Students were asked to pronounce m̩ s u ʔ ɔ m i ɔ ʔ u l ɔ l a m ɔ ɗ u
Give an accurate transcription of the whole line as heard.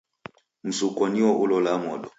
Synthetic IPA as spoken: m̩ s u k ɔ n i ɔ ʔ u l ɔ l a m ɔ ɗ ɔ